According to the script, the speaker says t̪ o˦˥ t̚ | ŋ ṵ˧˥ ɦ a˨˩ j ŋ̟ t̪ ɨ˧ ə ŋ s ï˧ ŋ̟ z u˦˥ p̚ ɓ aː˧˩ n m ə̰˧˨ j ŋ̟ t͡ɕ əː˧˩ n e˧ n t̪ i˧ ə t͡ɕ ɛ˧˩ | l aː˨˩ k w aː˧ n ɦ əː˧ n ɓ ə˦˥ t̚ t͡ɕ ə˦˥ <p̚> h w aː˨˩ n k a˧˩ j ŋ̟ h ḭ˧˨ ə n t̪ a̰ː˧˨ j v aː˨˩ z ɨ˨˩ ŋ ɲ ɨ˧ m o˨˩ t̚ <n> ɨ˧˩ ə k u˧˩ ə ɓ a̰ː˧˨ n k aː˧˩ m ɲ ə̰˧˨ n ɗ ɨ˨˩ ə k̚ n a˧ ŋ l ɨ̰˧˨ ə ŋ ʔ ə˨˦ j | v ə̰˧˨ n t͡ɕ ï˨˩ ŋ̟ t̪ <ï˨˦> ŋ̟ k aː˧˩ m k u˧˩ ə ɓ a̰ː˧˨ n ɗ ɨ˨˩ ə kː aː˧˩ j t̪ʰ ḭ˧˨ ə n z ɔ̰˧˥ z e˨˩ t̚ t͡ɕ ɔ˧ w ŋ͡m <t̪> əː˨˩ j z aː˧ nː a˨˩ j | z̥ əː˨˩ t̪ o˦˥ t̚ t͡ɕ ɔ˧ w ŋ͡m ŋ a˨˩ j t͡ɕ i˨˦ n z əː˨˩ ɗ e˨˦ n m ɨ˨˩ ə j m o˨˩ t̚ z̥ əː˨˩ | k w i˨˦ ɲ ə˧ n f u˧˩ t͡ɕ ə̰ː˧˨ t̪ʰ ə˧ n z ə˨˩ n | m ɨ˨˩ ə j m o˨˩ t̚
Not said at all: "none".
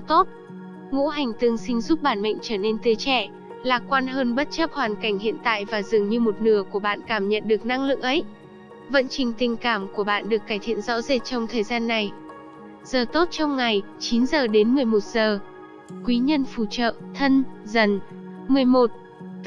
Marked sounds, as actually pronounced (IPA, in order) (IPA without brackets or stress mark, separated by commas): p̚, n, ï˨˩, t̪ʰ